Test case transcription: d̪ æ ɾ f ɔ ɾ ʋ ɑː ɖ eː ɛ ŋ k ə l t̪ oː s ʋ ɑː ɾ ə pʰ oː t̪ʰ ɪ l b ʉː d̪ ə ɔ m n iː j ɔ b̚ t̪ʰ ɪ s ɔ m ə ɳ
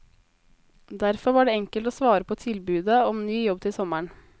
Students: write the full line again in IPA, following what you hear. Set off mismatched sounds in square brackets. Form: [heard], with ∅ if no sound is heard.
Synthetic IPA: d̪ æ ɾ f ɔ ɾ ʋ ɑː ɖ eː ɛ ŋ k ə l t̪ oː s ʋ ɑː ɾ ə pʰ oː t̪ʰ ɪ l b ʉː d̪ ə ɔ m n [yː] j ɔ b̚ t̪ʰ ɪ s ɔ m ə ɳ